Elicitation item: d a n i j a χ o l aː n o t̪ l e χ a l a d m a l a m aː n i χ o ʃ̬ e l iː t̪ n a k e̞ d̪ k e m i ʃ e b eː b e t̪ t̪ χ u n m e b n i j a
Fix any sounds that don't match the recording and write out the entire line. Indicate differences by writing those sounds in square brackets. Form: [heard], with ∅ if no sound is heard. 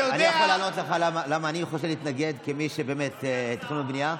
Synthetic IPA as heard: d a n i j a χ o l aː n o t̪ l e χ a l a [∅] m a l a m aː n i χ o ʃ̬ e l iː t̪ n a [ɡ] e̞ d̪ k e m i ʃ e b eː [m] e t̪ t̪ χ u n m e b n i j a

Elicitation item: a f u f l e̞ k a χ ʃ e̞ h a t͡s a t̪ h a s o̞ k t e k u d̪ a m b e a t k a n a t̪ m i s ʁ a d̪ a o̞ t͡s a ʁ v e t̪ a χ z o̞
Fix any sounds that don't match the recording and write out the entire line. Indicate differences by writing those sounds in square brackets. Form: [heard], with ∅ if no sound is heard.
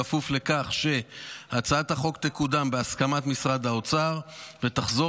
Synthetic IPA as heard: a f u f l e̞ k a χ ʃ e̞ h a t͡s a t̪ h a [χ] o̞ k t e k u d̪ a m b e a [s] k a [m] a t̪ m i s ʁ a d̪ a o̞ t͡s a ʁ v e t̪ a χ z o̞

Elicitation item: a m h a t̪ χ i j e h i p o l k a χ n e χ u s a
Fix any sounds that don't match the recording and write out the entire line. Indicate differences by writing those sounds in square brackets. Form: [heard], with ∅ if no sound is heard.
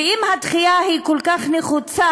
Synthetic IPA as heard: [i] m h a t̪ χ i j [a] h i [k] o l k a χ n e χ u [t͡s] a

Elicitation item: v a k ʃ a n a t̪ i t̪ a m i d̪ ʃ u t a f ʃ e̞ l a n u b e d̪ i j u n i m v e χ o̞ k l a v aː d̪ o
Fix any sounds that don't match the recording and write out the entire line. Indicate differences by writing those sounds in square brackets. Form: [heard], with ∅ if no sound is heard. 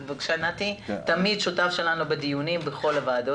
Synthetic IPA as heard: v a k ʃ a n a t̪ i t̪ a m i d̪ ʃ u t a f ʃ e̞ l a n u b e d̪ i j u n i m [b] e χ o̞ [∅] l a v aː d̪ o

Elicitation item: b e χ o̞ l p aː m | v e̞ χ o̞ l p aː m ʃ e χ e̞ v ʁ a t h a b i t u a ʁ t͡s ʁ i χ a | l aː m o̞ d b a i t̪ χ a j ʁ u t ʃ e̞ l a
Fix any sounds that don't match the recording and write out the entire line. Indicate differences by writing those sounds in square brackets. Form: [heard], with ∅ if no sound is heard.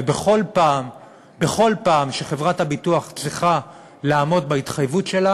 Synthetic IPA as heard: b e χ o̞ l p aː m | [b] e̞ χ o̞ l p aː m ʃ e χ e̞ v ʁ a t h a b i t u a [χ] t͡s ʁ i χ a | l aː m o̞ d b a i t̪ χ a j [v] u t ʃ e̞ l a

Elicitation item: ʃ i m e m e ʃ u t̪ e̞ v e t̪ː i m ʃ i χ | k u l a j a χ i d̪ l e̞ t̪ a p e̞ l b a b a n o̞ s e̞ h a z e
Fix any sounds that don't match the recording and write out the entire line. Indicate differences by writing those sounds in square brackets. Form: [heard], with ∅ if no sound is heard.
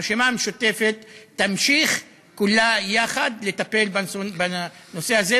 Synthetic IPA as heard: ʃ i m [a] m e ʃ u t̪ e̞ [f] e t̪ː [a] m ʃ i χ | k u l a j a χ [a] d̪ l e̞ t̪ a p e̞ l b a b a n o̞ s e̞ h a z e

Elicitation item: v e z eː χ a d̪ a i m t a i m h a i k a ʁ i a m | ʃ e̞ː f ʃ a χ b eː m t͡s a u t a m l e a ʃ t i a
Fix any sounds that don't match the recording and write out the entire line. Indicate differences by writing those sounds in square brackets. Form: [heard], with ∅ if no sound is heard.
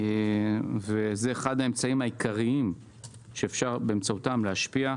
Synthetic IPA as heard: v e z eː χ a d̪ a [e] m [t͡s] a i m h a i k a ʁ i [i] m | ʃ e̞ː f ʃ a [ʁ] b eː m t͡s a u t a m l e a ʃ [p] i a

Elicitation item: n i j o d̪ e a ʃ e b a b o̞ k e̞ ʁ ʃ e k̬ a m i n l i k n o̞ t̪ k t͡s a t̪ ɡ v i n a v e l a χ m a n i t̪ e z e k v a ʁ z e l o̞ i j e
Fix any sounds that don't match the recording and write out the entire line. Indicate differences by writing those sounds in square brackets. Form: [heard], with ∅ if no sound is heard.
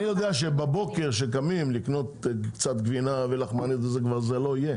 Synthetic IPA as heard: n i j o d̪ e a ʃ e b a b o̞ k e̞ ʁ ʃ e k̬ a m i [m] l i k n o̞ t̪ k t͡s a t̪ ɡ v i n a v e l a χ m a n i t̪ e z e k v a ʁ z e l o̞ i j e

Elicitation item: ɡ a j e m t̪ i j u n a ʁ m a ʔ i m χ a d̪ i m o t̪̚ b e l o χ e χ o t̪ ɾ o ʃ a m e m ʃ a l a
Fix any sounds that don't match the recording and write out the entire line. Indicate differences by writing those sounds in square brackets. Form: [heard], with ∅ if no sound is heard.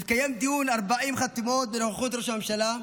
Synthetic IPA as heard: [k] a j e m [d̪] i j u n a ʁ [b] a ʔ i m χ a [t̪] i m o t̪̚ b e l o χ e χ [u] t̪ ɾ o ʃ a m e m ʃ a l a

